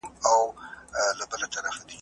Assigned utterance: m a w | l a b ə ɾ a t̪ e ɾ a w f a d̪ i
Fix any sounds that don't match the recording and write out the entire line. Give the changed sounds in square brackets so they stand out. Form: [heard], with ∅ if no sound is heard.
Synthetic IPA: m a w | l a b ə [l] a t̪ [a] ɾ a [∅] f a d̪ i